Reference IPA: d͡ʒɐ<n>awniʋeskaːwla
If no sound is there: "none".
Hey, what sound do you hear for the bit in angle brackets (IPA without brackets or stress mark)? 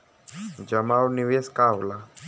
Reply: m